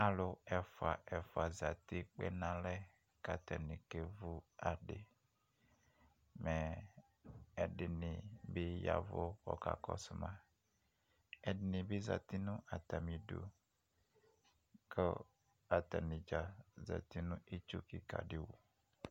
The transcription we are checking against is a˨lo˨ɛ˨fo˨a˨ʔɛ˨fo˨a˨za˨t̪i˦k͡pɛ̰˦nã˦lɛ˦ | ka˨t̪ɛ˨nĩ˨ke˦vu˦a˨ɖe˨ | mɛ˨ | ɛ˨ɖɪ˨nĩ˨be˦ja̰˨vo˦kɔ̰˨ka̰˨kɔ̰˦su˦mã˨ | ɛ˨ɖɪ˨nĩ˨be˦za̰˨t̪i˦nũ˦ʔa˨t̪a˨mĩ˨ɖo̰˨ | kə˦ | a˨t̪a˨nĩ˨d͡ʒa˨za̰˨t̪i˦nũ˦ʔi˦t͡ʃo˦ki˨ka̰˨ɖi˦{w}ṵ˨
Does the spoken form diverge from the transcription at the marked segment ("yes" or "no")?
no